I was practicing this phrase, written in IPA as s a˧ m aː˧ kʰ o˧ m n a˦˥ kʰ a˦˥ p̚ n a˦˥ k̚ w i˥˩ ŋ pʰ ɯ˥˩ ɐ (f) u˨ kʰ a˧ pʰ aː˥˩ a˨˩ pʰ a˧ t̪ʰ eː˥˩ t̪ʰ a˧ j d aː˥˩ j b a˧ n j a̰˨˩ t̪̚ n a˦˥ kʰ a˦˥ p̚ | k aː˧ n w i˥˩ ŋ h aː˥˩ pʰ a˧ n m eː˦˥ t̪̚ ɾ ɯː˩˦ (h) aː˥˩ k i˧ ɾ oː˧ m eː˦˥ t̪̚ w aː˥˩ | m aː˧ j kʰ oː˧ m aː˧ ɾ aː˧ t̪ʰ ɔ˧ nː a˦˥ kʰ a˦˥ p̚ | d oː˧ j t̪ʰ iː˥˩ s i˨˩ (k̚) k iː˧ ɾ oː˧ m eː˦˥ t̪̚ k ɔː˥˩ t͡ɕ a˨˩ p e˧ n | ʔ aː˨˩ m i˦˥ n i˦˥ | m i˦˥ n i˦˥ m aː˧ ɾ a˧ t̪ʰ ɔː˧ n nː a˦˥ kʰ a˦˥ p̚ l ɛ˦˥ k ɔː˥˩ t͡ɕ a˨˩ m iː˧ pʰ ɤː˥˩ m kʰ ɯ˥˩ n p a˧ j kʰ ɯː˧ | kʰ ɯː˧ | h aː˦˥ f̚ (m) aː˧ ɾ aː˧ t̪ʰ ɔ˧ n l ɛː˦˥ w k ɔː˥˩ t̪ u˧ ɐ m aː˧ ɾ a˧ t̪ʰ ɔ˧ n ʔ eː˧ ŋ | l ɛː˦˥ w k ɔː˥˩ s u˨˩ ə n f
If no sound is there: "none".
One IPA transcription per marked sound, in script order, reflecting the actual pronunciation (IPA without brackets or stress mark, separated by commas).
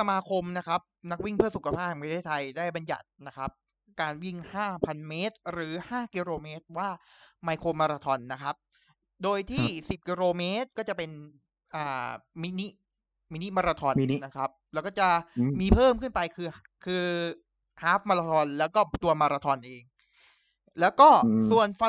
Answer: s, h, p̚, m